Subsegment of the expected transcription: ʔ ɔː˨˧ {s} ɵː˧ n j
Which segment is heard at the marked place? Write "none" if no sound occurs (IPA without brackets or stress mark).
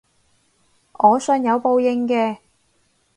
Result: s